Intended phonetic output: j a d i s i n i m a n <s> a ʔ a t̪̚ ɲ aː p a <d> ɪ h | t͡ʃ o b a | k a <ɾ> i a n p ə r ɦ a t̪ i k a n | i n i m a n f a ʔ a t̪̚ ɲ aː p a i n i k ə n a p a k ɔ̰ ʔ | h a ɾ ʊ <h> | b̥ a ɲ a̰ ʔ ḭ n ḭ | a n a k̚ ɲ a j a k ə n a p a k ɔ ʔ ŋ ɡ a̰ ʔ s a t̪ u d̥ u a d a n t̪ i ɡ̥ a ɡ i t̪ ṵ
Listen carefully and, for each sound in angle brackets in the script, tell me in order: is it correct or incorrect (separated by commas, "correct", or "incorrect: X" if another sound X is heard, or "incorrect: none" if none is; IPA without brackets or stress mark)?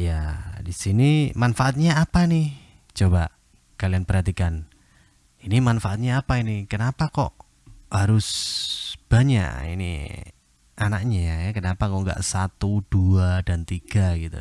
incorrect: f, incorrect: n, incorrect: l, incorrect: s